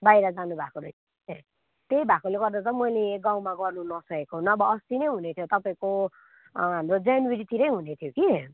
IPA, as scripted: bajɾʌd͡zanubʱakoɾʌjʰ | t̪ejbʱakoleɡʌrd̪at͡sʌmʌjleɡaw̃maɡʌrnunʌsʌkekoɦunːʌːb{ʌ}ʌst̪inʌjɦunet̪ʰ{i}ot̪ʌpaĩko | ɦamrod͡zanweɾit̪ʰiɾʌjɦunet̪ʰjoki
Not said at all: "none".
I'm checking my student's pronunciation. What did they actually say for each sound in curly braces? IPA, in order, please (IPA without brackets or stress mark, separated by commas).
ʌ, j